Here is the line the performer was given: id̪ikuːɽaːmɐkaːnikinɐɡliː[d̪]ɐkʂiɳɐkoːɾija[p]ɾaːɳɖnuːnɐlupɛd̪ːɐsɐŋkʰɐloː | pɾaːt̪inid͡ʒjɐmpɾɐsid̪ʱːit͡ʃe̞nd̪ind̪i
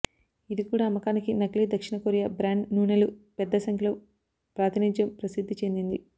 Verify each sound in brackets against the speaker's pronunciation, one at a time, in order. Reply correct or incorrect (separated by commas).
correct, incorrect